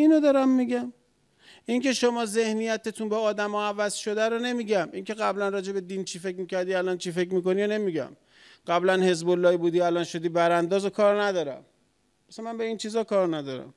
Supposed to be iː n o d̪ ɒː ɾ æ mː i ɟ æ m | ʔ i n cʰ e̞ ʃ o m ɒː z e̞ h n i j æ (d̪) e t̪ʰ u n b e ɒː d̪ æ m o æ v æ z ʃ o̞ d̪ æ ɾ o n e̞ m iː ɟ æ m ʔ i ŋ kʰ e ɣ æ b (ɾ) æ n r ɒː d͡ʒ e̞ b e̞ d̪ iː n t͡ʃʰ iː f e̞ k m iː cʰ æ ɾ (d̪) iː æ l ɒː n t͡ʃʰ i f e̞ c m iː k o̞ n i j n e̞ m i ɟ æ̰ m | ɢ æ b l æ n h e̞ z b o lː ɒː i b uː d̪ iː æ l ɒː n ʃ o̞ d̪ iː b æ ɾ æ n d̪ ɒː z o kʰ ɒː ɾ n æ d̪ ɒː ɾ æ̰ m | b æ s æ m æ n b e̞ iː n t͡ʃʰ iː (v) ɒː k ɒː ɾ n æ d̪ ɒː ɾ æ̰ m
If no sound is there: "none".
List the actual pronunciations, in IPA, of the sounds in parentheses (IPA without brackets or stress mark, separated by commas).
t̪, l, d̪, z